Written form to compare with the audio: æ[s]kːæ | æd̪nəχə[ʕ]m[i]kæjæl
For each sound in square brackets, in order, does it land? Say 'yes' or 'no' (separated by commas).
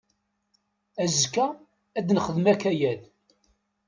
no, no, no